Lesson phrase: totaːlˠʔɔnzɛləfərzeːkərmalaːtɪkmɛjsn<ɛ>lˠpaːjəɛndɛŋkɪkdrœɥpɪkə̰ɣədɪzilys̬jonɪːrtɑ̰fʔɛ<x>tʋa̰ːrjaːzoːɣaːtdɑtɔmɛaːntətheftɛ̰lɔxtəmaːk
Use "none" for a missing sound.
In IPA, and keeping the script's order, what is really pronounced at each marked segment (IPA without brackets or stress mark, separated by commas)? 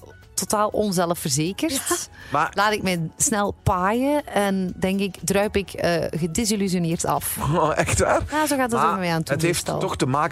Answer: ɛ, x